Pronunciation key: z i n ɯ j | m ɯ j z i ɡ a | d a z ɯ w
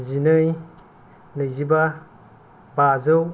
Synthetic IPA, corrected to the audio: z i n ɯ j | n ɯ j z i b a | b a z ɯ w